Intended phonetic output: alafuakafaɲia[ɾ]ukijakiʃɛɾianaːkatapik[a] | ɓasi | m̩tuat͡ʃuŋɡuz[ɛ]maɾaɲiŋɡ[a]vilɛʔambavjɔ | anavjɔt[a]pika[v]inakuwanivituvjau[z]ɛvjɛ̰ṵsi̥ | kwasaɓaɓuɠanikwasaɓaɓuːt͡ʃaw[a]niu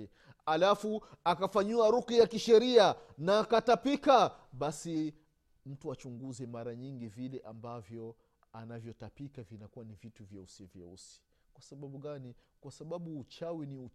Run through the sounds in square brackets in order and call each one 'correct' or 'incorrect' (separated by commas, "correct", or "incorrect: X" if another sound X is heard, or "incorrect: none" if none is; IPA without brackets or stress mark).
correct, correct, correct, incorrect: i, correct, correct, incorrect: s, incorrect: i